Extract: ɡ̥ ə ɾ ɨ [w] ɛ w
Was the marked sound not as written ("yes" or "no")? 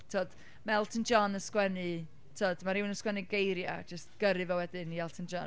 yes